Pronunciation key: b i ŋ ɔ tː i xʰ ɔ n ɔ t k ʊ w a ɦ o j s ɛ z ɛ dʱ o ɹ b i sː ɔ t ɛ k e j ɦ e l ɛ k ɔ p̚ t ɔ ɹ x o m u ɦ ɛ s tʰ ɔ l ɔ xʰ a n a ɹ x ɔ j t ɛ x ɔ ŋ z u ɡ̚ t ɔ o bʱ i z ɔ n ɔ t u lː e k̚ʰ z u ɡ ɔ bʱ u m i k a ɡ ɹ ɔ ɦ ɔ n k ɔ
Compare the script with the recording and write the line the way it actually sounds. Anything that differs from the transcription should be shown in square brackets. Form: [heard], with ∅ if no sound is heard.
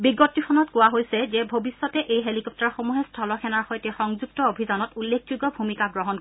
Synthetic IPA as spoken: b i [ɡ] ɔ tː i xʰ ɔ n ɔ t k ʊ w a ɦ o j s ɛ z ɛ [bʱ] o [∅] b i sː ɔ t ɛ [ʔ] e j ɦ e l [i] k ɔ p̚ t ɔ ɹ x o m u ɦ ɛ s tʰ ɔ l ɔ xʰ [ɛ] n a ɹ x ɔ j t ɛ x ɔ ŋ z u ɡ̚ t ɔ o bʱ i z ɔ n ɔ t u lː e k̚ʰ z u ɡ ɔ bʱ u m i k a ɡ ɹ ɔ ɦ ɔ n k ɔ